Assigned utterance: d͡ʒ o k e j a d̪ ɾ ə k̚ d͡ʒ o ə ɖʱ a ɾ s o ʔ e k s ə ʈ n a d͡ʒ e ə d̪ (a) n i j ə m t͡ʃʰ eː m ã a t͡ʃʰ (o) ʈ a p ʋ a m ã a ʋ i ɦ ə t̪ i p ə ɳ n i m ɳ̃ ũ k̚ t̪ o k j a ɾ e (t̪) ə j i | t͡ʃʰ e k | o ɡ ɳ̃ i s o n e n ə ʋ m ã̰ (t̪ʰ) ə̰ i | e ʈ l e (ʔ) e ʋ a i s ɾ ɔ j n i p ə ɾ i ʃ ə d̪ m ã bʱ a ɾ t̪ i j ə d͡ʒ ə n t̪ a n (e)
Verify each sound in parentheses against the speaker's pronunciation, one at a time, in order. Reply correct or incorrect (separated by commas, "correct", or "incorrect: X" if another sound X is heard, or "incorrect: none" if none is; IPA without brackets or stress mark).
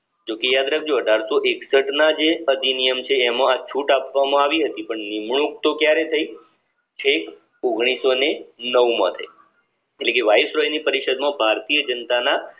incorrect: i, incorrect: u, incorrect: t̪ʰ, correct, incorrect: k, incorrect: a